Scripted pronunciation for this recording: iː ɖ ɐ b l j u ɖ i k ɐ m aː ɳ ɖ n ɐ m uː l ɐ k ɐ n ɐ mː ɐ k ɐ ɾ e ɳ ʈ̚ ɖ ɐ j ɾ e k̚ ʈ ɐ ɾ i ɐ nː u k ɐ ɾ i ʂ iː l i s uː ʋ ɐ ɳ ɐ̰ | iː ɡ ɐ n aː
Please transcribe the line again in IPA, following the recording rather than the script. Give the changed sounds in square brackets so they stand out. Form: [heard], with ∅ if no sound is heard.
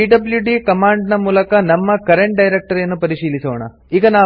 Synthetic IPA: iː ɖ ɐ b l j u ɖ i k ɐ m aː ɳ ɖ n ɐ m uː l ɐ k ɐ n ɐ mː ɐ k ɐ ɾ e ɳ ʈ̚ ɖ ɐ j ɾ e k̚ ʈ ɐ ɾ [j] ɐ nː u [p] ɐ ɾ i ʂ iː l i s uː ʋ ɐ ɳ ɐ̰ | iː ɡ ɐ n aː